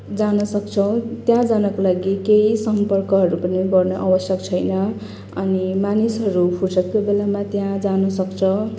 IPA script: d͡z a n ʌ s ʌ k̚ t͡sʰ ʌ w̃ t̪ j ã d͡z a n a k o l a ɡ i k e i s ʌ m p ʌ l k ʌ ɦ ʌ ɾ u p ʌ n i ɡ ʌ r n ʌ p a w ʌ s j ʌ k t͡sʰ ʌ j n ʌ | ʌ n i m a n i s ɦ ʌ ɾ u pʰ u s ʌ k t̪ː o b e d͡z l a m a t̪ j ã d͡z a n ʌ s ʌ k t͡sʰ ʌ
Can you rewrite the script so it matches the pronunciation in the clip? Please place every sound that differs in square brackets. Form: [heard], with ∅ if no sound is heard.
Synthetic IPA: d͡z a n ʌ s ʌ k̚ t͡sʰ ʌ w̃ t̪ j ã d͡z a n [ʌ] k o l a ɡ i k e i s ʌ m p ʌ [r] k ʌ ɦ ʌ ɾ u p ʌ n i ɡ ʌ r n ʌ [ʔ] a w ʌ s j ʌ k t͡sʰ ʌ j n ʌ | ʌ n i m a n i s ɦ ʌ ɾ u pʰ u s ʌ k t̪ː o b e [∅] l a m a t̪ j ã d͡z a n ʌ s ʌ k t͡sʰ ʌ